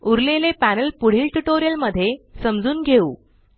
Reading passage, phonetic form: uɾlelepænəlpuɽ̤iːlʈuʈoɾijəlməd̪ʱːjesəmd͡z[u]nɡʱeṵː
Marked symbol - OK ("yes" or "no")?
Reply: no